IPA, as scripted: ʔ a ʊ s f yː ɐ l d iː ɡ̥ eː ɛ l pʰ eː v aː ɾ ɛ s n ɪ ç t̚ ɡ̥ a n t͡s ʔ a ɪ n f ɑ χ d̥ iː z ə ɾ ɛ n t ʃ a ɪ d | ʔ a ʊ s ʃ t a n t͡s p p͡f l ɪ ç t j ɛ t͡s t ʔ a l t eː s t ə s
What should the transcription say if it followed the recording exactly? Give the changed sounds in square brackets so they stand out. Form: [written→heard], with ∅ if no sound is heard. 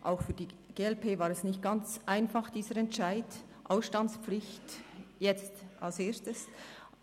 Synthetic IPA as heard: ʔ a ʊ [s→x] f yː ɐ [l→∅] d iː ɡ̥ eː ɛ l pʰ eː v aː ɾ ɛ s n ɪ ç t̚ ɡ̥ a n t͡s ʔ a ɪ n f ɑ χ d̥ iː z ə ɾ ɛ n t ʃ a ɪ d | ʔ a ʊ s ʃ t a n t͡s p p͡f l ɪ ç t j ɛ t͡s t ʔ a l [t→s] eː s t ə s